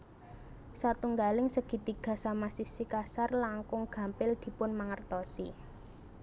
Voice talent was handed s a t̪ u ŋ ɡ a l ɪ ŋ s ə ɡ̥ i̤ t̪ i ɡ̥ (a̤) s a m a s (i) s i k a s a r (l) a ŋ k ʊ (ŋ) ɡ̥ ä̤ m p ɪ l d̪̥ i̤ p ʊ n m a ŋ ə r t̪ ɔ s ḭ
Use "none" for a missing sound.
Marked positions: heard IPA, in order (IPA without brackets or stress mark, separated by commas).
a̤, i, l, ŋ